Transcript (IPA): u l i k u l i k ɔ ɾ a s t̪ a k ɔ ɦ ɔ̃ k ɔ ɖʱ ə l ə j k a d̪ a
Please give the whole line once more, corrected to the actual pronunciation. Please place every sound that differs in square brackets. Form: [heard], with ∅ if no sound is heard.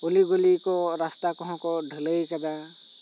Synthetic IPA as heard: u l i [ɡ] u l i k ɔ ɾ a s t̪ a k ɔ ɦ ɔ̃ k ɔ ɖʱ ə l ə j k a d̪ a